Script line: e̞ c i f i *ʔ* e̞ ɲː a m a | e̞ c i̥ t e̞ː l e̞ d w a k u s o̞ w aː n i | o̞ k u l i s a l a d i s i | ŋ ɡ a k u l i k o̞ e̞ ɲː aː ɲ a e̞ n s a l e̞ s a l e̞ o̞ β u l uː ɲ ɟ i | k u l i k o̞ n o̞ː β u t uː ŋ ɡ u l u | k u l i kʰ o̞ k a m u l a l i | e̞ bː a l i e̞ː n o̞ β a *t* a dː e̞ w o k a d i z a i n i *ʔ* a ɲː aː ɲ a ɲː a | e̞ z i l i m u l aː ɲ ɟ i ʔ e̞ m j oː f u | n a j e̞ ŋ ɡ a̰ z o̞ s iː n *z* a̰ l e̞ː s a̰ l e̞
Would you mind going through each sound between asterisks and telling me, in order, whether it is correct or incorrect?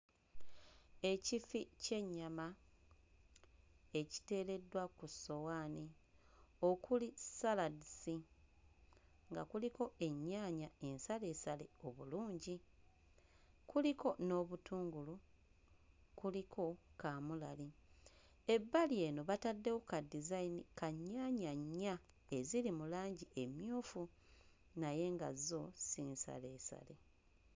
incorrect, correct, incorrect, incorrect

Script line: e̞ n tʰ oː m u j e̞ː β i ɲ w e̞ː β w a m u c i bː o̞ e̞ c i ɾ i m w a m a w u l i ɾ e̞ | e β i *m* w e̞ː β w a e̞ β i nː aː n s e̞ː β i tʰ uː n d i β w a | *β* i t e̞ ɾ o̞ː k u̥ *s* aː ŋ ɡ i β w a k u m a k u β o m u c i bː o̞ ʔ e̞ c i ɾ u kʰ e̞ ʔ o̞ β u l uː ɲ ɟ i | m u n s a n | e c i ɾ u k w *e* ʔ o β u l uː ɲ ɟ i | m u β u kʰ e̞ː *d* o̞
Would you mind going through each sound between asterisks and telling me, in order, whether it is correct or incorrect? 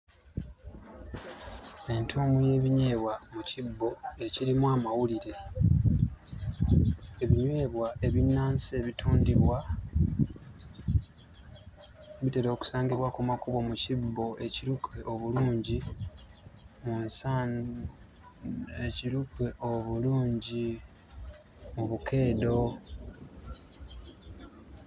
incorrect, correct, correct, correct, correct

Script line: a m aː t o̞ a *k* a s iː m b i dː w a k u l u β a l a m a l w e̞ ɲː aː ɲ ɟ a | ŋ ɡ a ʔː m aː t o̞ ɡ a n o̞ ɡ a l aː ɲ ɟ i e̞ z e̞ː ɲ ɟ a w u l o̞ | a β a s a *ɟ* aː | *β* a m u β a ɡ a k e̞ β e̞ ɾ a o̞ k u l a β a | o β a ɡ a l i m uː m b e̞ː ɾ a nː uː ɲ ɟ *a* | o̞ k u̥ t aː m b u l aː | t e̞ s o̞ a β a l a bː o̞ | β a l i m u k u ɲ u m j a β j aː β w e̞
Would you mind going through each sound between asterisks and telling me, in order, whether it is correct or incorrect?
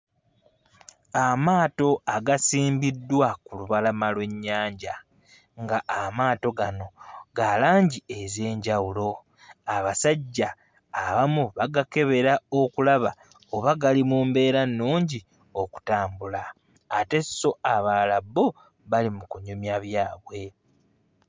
incorrect, incorrect, correct, incorrect

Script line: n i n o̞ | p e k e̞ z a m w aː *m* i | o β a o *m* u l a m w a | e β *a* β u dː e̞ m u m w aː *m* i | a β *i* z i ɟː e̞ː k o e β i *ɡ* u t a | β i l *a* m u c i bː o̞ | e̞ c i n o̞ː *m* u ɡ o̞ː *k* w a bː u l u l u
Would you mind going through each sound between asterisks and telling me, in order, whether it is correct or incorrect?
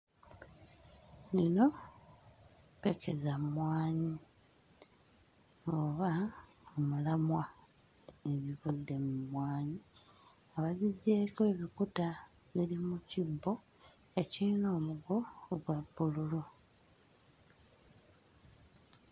incorrect, correct, incorrect, incorrect, incorrect, incorrect, incorrect, correct, incorrect

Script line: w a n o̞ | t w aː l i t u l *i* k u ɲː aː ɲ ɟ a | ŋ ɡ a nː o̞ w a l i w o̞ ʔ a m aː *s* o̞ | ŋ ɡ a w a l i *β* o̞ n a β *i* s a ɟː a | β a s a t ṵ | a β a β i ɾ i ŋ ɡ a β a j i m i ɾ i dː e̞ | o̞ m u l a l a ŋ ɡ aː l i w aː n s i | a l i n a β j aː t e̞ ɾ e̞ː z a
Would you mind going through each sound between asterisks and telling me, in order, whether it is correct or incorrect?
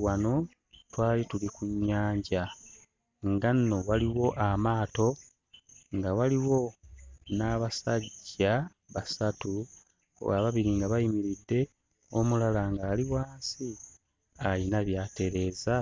correct, incorrect, incorrect, incorrect

